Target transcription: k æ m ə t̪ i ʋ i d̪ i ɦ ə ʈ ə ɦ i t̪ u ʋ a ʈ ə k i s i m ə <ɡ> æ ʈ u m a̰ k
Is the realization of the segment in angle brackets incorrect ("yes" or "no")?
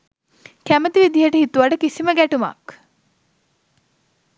no